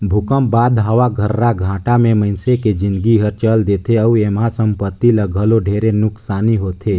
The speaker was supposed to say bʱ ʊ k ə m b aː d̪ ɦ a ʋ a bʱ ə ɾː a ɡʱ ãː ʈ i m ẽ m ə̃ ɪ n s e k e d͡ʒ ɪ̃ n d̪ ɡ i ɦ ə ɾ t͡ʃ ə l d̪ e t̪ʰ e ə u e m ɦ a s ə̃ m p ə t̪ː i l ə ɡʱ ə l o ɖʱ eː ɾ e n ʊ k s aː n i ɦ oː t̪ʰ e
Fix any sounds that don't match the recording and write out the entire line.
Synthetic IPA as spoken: bʱ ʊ k ə m b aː d̪ ɦ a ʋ a ɡʱ ə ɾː a ɡʱ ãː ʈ a m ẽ m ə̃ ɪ n s e k e d͡ʒ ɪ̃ n d̪ ɡ i ɦ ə ɾ t͡ʃ ə l d̪ e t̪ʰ e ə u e m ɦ a s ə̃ m p ə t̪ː i l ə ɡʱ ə l o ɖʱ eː ɾ e n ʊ k s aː n i ɦ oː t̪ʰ e